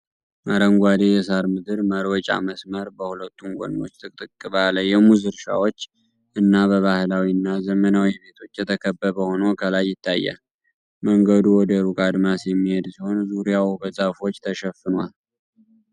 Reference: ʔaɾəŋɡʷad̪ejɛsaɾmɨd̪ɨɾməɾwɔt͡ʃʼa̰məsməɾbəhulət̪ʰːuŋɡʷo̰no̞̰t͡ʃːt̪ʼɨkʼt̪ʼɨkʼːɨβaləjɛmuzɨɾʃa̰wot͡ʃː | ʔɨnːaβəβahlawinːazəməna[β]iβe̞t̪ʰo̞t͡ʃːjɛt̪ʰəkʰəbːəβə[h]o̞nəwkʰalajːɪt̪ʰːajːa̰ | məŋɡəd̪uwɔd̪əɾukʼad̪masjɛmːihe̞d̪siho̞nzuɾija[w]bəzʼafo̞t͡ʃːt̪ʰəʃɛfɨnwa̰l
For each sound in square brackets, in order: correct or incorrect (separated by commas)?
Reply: incorrect, correct, correct